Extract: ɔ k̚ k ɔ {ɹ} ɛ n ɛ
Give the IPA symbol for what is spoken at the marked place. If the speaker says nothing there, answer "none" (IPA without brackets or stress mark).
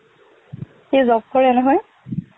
ɹ